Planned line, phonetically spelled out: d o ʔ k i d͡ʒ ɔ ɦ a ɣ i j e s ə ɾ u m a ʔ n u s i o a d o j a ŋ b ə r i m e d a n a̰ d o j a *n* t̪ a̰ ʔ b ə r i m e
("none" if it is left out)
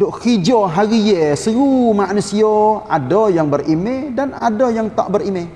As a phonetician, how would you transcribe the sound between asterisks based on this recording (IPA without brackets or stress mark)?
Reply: ŋ